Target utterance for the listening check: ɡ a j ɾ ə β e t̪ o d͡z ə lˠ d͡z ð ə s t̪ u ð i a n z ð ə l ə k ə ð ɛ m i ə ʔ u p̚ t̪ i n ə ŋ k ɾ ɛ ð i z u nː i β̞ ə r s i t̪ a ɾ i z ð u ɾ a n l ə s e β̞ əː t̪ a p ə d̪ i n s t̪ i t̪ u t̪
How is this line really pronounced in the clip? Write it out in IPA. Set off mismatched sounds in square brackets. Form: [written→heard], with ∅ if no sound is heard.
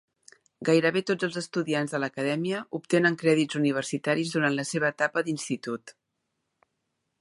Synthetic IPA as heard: ɡ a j ɾ ə β e t̪ o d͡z ə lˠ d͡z [ð→z] ə s t̪ u ð i a n z ð ə l ə k ə ð ɛ m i ə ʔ u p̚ t̪ [i→e] n ə ŋ k ɾ ɛ ð i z u [nː→n] i β̞ ə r s i t̪ a ɾ i z ð u ɾ a n l ə s e β̞ əː t̪ a p ə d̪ i n s t̪ i t̪ u t̪